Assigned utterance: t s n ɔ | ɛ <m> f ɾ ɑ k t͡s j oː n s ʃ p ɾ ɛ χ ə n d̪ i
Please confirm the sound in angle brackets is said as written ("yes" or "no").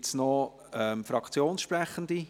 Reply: yes